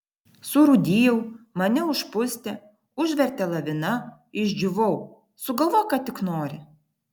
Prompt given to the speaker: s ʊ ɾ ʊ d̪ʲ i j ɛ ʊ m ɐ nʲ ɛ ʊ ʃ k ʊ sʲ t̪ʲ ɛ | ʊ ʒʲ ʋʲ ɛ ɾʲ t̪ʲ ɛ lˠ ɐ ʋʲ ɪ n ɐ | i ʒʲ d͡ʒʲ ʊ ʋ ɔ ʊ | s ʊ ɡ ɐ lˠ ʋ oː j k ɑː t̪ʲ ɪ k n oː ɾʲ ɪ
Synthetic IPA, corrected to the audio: s ʊ ɾ ʊ d̪ʲ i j ɛ ʊ m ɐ nʲ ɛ ʊ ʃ p ʊ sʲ t̪ʲ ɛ | ʊ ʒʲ ʋʲ ɛ ɾʲ t̪ʲ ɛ lˠ ɐ ʋʲ ɪ n ɐ | ɪ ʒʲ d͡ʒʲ ʊ ʋ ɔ ʊ | s ʊ ɡ ɐ lˠ ʋ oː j k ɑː t̪ʲ ɪ k n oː ɾʲ ɪ